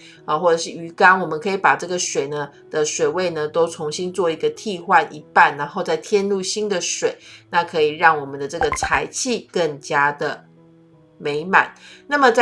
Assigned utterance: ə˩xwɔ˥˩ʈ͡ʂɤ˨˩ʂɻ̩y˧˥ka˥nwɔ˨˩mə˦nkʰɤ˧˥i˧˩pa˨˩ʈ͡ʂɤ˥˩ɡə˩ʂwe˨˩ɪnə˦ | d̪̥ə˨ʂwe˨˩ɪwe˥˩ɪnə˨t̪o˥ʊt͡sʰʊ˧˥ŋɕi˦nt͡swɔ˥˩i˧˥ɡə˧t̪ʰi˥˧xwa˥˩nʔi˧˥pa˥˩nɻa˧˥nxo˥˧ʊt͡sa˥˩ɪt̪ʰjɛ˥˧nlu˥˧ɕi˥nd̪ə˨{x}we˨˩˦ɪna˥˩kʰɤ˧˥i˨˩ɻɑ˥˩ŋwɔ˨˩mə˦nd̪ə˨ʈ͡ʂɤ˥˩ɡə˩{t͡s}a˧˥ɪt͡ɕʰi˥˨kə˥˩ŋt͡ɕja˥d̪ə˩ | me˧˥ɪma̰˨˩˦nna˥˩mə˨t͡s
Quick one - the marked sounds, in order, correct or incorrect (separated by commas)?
incorrect, incorrect